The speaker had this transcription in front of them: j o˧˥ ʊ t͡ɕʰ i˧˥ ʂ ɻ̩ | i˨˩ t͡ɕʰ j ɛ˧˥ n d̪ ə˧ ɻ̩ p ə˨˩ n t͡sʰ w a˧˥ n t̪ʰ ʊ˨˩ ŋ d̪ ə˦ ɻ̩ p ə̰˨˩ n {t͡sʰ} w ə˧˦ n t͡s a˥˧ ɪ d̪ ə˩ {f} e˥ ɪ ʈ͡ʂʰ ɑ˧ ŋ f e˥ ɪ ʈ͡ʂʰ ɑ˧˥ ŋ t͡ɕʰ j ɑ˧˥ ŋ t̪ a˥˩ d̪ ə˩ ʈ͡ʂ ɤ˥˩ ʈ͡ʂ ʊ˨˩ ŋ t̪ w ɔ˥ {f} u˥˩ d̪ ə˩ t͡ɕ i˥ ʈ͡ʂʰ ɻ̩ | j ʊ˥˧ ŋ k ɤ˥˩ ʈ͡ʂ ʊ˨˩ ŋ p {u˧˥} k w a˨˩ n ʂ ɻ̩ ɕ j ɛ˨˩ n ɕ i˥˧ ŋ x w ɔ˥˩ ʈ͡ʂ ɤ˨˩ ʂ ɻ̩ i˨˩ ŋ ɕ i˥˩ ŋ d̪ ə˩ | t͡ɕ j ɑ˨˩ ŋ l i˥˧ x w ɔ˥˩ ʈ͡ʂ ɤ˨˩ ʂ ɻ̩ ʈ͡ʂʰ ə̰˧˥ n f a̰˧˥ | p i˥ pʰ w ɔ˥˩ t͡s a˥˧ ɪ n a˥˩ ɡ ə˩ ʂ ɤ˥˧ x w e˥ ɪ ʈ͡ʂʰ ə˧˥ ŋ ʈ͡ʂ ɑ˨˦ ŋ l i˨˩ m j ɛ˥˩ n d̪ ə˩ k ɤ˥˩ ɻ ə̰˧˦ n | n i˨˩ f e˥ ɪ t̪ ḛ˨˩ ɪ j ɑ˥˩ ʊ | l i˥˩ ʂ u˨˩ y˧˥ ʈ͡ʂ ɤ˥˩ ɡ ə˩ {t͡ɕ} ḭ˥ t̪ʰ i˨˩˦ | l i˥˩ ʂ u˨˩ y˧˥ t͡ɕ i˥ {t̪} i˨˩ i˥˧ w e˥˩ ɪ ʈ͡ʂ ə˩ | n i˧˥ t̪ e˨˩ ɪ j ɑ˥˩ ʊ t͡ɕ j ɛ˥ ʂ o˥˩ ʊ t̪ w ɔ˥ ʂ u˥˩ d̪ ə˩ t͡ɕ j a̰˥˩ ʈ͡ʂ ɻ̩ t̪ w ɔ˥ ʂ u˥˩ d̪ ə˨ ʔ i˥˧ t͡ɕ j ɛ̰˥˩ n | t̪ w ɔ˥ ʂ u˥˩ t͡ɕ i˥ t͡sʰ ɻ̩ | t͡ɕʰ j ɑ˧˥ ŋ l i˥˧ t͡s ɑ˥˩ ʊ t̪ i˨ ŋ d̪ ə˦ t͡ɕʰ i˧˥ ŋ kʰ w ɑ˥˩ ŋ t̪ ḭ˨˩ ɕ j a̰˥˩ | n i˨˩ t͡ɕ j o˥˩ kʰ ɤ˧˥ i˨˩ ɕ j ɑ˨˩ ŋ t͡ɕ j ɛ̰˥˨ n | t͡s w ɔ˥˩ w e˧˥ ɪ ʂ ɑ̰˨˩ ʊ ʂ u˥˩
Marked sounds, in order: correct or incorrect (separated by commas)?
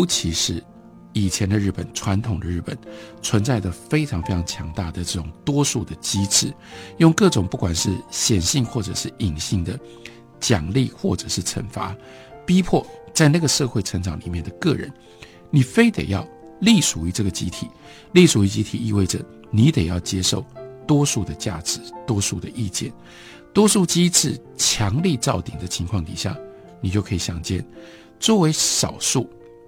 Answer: correct, correct, incorrect, incorrect, correct, incorrect